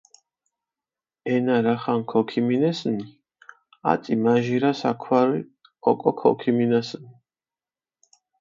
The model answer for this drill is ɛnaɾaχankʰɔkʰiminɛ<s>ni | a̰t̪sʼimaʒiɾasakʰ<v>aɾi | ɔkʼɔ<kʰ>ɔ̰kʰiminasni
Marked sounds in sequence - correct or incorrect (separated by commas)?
correct, incorrect, correct